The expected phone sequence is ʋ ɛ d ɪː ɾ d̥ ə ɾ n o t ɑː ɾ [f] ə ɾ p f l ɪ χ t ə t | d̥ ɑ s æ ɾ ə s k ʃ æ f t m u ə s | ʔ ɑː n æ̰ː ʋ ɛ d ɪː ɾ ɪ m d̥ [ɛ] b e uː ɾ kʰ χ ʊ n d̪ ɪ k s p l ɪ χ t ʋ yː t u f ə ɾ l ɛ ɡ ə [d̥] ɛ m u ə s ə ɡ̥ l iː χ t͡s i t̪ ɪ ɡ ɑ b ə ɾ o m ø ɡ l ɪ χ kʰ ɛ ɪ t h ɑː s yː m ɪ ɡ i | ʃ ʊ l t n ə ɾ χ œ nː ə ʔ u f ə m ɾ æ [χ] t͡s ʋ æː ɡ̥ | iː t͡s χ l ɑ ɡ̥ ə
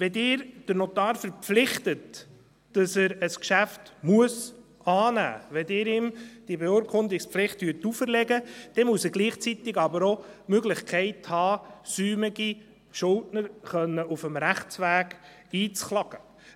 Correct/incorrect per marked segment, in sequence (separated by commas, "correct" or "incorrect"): correct, incorrect, correct, correct